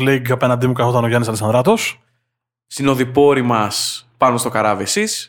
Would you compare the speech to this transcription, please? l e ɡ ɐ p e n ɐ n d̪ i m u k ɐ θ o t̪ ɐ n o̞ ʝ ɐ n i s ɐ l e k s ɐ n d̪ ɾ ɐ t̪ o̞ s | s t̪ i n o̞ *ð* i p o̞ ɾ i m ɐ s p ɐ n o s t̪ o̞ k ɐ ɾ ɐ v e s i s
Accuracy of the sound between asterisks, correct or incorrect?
correct